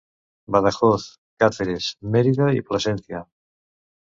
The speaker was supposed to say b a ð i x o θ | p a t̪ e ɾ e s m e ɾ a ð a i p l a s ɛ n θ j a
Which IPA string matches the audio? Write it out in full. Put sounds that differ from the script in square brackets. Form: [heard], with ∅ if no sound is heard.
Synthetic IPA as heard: b a ð [a] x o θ | [k] a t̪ e ɾ e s m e ɾ [i] ð a i p l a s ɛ n θ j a